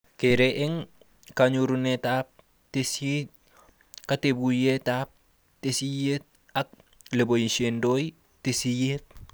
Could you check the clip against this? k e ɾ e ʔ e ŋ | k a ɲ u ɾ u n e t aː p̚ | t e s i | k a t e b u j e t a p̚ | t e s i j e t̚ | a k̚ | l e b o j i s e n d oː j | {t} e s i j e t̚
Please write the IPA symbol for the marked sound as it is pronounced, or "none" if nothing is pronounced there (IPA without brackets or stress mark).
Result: t